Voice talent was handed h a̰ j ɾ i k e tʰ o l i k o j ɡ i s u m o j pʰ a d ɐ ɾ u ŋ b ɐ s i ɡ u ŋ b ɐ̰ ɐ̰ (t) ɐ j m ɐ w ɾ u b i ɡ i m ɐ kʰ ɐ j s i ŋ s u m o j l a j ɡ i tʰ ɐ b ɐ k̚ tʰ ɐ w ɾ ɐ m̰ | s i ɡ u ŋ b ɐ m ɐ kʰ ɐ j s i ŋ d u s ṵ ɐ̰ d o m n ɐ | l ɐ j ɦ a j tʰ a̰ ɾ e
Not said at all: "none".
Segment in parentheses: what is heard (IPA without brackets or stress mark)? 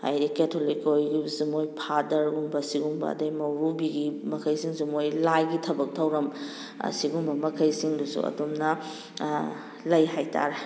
d